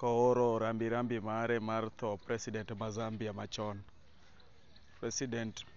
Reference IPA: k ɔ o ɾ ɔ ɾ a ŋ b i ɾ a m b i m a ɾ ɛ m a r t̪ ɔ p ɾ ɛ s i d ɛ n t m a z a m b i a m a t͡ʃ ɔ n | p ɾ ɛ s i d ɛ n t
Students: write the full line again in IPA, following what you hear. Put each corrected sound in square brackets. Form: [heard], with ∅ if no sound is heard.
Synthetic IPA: k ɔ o ɾ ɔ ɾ a [m] b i ɾ a m b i m a ɾ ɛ m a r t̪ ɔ p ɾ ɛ s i d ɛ n t m a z a m b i a m a t͡ʃ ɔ n | p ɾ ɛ s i d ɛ n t